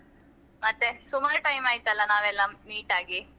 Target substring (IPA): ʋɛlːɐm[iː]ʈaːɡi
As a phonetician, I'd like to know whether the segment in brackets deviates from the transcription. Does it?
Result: no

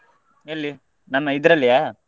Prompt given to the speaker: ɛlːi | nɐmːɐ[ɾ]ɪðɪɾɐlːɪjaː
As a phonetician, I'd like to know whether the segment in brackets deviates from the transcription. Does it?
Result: yes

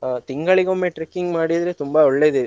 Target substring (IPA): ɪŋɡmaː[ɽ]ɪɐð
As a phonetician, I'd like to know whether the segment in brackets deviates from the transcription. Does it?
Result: no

